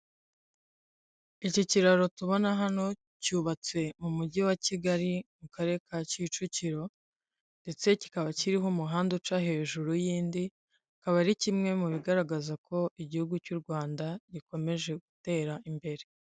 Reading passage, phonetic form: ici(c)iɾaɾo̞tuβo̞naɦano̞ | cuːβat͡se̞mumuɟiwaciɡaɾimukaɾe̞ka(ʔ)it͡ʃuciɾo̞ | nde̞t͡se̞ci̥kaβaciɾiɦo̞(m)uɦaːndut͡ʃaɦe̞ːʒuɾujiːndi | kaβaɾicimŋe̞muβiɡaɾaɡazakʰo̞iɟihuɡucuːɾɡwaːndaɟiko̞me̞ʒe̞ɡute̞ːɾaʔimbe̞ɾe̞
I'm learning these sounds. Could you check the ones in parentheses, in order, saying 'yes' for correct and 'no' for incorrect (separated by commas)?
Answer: yes, no, yes